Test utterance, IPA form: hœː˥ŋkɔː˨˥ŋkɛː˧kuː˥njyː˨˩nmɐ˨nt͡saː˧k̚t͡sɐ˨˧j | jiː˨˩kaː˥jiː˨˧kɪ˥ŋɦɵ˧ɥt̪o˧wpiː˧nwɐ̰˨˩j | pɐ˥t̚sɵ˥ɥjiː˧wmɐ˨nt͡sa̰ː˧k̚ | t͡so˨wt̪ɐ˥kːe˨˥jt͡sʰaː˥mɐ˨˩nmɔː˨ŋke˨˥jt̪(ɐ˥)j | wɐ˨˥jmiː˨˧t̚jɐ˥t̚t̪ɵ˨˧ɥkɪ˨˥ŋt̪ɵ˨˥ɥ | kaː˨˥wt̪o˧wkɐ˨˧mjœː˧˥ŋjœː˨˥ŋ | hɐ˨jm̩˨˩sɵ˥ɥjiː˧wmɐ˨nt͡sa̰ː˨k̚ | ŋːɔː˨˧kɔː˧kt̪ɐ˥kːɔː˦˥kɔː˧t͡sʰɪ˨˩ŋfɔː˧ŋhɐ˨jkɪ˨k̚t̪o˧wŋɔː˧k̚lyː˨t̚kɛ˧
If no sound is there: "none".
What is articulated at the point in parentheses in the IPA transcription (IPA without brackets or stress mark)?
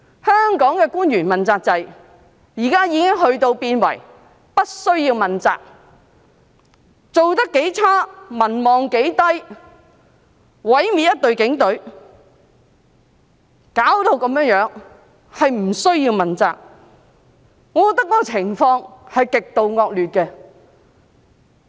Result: ɐ˥